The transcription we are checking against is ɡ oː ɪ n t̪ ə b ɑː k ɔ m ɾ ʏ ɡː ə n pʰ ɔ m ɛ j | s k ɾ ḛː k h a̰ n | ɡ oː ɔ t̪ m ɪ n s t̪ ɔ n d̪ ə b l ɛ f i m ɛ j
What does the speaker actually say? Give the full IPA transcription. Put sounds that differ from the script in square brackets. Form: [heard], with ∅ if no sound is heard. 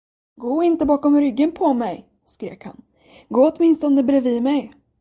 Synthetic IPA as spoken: ɡ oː ɪ n t̪ ə b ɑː k ɔ m ɾ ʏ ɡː ə n pʰ ɔ m ɛ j | s k ɾ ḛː k h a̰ n | ɡ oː ɔ t̪ m ɪ n s t̪ ɔ n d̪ ə b [ɾ] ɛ [v] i m ɛ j